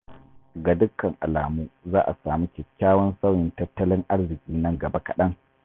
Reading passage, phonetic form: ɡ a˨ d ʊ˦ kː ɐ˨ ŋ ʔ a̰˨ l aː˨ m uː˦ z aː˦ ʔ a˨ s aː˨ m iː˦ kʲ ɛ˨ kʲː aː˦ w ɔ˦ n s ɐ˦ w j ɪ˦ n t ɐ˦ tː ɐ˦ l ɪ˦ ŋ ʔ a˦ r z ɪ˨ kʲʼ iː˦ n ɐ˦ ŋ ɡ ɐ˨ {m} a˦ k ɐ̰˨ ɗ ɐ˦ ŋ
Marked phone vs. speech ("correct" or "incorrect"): incorrect